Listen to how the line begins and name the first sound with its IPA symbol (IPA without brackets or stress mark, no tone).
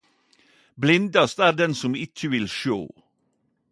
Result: b